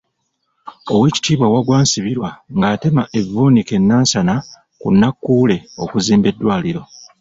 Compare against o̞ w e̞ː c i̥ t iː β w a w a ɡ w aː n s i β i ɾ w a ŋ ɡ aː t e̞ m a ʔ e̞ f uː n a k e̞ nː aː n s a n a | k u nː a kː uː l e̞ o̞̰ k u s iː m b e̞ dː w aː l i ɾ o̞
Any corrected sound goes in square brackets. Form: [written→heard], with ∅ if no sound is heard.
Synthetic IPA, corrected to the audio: o̞ w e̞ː c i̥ t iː β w a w a ɡ w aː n s i β i ɾ w a ŋ ɡ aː t e̞ m a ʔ e̞ [f→v] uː n [a→i] k e̞ nː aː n s a n a | k u nː a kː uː l e̞ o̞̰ k u [s→z] iː m b e̞ dː w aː l i ɾ o̞